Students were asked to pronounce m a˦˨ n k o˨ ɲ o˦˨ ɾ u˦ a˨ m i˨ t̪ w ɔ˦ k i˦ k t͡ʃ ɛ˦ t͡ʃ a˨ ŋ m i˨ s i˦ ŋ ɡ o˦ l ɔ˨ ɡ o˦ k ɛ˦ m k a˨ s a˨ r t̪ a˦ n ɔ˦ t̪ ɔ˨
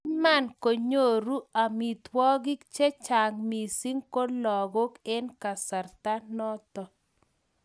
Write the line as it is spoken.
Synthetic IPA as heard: m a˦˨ n k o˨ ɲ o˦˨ ɾ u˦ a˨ m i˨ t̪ w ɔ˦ ɡ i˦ k t͡ʃ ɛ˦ t͡ʃ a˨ ŋ m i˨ s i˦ ŋ k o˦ l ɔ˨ ɡ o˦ k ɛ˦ n k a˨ s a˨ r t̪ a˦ n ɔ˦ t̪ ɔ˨

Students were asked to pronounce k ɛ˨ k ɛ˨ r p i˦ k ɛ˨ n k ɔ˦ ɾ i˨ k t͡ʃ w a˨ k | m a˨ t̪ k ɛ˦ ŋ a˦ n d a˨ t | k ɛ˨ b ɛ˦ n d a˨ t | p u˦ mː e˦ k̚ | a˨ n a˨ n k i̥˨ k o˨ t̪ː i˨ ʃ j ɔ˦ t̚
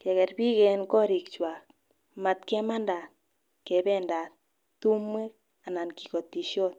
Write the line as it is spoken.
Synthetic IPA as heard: k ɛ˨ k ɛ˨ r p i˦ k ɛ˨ n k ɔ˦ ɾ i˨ k t͡ʃ w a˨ k | m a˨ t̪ k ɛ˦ m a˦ n d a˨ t | k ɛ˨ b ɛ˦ n d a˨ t | t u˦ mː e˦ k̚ | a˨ n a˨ n k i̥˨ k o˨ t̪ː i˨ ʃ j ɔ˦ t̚

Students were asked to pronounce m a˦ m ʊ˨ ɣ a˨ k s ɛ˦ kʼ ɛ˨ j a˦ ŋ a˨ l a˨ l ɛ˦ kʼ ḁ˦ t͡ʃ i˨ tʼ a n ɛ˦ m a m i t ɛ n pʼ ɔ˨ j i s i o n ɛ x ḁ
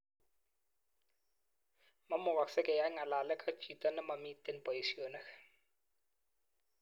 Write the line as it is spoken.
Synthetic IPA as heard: m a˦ m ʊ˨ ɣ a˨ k s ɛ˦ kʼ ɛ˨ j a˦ ŋ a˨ l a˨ l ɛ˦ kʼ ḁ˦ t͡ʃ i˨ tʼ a n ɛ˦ m a m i t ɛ n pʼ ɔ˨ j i s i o n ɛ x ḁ

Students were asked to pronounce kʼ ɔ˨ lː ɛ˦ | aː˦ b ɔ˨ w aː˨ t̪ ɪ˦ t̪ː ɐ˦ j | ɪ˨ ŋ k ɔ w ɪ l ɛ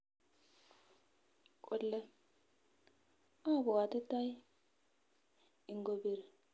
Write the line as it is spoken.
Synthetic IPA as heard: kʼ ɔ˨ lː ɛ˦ | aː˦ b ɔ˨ w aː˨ t̪ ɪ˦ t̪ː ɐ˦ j | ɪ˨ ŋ ɡ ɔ b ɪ ɾ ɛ

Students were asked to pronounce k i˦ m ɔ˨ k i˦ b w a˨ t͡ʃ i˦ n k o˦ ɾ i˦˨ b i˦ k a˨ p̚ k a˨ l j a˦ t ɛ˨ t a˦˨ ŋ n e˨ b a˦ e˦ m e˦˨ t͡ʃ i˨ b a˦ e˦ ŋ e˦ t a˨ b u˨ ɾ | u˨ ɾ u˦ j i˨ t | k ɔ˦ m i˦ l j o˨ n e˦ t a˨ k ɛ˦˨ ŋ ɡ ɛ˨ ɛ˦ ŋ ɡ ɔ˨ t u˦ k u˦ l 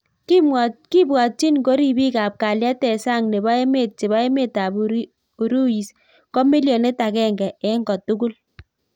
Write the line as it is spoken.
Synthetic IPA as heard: k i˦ m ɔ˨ k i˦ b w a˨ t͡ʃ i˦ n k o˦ ɾ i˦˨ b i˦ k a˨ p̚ k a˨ l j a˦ t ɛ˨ s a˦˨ ŋ n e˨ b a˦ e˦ m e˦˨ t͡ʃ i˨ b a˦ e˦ m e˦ t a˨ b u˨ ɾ | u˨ ɾ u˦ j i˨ s | k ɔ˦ m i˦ l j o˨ n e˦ t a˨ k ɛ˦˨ ŋ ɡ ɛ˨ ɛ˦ ŋ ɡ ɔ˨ t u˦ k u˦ l

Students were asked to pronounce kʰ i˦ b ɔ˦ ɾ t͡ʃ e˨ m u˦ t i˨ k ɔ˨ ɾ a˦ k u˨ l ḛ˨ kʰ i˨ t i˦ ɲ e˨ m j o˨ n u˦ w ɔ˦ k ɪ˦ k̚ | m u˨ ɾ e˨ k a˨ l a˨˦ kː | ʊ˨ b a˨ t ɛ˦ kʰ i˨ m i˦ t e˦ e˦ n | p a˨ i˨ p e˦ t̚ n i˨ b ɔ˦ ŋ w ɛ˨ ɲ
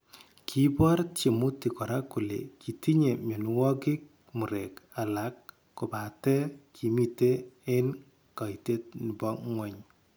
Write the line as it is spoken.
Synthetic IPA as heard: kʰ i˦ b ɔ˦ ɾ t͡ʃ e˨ m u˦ t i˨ k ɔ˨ ɾ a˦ k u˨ l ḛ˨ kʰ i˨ t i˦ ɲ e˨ m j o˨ n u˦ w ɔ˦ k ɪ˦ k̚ | m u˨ ɾ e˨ k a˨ l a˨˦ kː | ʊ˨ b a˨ t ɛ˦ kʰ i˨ m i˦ t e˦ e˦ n | k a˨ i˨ t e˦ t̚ n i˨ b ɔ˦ ŋ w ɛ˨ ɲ

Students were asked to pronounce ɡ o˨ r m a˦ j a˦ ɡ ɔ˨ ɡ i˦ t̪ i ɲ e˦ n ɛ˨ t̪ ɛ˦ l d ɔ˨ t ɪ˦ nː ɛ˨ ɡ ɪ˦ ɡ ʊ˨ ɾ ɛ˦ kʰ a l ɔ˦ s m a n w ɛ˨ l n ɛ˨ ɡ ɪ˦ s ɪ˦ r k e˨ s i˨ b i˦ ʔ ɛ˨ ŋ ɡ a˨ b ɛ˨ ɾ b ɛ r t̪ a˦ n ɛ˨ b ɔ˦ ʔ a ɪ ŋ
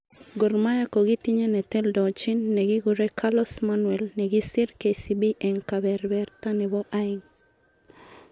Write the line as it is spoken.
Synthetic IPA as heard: ɡ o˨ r m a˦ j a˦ k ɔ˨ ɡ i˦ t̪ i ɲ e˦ n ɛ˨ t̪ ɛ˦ l d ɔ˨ t͡ʃ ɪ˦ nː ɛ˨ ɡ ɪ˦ ɡ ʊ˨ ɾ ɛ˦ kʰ a l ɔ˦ s m a n w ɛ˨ l n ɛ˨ ɡ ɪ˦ s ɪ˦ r k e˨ s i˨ b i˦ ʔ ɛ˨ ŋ k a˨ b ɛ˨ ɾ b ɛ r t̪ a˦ n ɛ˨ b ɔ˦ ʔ a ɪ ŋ

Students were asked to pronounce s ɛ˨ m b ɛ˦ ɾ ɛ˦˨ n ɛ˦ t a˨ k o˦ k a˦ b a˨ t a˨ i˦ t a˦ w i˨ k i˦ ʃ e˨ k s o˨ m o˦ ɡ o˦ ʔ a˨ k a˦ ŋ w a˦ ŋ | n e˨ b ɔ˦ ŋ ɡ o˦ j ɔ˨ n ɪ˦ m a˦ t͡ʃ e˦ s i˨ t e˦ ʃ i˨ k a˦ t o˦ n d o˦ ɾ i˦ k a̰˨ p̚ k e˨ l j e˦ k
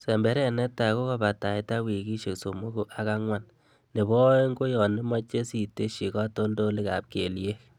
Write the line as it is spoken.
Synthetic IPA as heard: s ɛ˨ m b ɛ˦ ɾ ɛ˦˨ n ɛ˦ t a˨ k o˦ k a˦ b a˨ t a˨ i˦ t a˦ w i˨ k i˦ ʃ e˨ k s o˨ m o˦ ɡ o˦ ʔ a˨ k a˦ ŋ w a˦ n | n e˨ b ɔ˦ ŋ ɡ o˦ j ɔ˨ n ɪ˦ m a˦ t͡ʃ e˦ s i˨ t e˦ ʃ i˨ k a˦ t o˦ n d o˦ l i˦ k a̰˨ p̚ k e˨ l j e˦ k

